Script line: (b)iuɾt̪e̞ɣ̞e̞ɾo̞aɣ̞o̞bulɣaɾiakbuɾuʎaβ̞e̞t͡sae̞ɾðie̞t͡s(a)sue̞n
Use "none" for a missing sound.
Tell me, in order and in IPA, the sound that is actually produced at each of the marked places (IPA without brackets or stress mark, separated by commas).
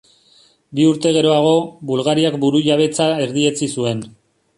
b, i